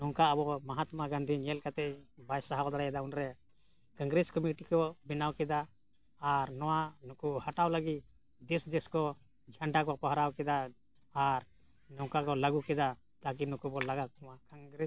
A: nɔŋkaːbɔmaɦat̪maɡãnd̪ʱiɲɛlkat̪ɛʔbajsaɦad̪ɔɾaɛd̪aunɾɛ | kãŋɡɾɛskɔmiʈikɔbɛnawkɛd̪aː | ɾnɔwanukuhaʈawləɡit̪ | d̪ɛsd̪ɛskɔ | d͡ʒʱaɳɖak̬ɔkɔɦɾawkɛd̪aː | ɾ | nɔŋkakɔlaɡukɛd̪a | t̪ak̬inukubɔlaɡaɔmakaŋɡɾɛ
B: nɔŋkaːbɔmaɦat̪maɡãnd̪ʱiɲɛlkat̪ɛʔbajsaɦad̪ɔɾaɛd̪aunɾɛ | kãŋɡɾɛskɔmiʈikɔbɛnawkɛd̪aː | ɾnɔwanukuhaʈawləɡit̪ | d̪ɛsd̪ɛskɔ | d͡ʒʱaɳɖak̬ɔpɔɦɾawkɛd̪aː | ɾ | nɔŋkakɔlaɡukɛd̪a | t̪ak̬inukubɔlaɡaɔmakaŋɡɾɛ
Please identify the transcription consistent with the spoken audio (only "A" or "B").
B